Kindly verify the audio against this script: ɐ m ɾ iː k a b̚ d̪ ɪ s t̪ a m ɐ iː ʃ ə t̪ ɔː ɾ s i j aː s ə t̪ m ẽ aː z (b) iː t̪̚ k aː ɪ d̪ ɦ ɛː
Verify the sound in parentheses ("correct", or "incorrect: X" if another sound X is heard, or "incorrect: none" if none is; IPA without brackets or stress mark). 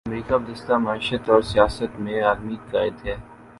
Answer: incorrect: m